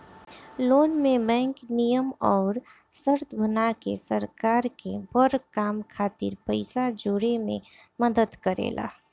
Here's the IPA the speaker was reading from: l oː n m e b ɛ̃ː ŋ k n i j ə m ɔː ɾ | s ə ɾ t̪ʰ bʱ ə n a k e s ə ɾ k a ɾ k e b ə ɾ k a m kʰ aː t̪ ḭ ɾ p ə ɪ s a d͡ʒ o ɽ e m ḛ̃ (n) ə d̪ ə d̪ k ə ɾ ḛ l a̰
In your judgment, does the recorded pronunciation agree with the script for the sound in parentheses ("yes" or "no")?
no